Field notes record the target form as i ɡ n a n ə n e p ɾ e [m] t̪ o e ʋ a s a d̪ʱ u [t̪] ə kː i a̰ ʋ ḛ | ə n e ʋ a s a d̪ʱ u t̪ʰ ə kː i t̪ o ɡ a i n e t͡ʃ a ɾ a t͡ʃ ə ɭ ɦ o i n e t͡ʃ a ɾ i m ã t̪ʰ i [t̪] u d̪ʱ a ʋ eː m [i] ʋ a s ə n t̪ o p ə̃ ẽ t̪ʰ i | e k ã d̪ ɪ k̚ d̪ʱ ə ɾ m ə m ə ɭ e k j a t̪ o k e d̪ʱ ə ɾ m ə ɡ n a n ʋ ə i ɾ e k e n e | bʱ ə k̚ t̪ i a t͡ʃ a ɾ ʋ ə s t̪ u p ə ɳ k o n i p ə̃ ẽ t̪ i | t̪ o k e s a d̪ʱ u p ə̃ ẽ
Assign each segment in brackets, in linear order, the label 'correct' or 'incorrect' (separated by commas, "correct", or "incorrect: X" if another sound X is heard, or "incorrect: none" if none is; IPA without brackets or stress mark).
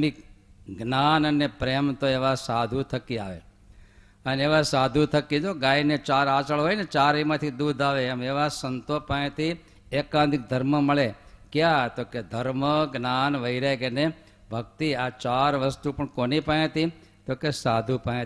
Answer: correct, incorrect: t̪ʰ, incorrect: d̪, incorrect: e